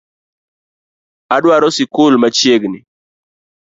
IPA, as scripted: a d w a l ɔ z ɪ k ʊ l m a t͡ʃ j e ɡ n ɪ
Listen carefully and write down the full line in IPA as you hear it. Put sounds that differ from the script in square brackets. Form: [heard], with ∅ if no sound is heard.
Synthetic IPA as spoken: a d w a [ɾ] ɔ [s] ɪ k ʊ l m a t͡ʃ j e ɡ n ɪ